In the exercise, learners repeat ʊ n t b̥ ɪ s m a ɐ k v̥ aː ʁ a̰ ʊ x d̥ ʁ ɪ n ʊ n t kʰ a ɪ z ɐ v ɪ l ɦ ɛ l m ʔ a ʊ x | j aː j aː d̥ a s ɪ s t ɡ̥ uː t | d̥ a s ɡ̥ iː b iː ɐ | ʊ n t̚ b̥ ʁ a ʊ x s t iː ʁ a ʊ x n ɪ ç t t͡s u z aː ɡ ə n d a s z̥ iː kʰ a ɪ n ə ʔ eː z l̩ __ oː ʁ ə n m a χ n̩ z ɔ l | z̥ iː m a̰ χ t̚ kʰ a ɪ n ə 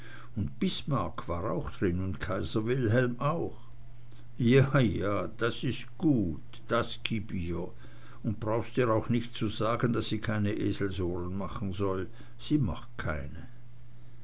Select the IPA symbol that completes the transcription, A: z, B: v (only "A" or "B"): A